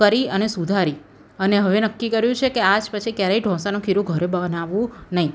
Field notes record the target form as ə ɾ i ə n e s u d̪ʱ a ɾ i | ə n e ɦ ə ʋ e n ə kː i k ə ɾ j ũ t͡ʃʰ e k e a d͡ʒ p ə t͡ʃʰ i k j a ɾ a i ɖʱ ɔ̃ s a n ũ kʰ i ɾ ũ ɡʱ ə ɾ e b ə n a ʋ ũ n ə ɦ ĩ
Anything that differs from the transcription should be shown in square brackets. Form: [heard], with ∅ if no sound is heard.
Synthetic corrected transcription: ə ɾ i ə n e s u d̪ʱ a ɾ i | ə n e ɦ ə ʋ e n ə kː i k ə ɾ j ũ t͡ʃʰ e k e a d͡ʒ p ə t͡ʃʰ i k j a ɾ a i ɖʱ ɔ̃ s a n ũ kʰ i ɾ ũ ɡʱ ə ɾ e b ə n a ʋ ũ n ə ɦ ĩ